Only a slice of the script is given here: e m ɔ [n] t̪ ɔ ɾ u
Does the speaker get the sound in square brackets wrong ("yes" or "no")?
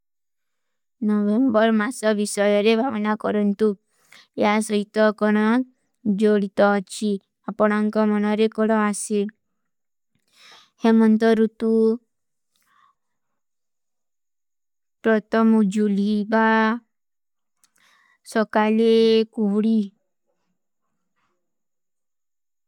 no